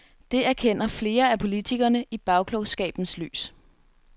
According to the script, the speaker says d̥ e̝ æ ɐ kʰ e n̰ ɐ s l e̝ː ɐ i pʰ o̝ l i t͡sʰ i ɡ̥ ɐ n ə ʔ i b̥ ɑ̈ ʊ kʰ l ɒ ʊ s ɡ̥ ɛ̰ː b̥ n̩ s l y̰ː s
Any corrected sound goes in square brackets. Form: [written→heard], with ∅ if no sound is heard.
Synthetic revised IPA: d̥ e̝ æ ɐ kʰ e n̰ ɐ [s→f] l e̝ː ɐ [i→æ] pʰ o̝ l i t͡sʰ i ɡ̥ ɐ n ə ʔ i b̥ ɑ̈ ʊ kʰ l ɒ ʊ s ɡ̥ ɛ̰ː b̥ n̩ s l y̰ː s